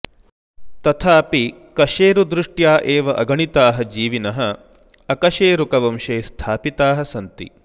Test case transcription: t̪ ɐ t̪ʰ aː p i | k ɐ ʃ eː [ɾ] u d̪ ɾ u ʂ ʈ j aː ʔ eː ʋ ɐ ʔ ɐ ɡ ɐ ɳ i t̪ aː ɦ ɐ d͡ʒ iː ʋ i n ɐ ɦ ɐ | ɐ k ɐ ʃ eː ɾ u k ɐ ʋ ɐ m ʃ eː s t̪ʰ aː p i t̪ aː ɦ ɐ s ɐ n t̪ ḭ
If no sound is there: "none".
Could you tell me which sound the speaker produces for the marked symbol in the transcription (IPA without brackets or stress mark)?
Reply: ɾ